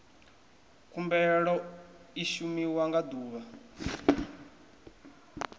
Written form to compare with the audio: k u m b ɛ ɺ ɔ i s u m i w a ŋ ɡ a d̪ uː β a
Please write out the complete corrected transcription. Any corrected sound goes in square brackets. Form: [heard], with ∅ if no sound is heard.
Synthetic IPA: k u m b ɛ ɺ ɔ i [ʃ] u m i w a ŋ ɡ a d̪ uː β a